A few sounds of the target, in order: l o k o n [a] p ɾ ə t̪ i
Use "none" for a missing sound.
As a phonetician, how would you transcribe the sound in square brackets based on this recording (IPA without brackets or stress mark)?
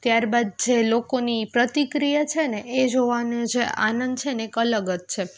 i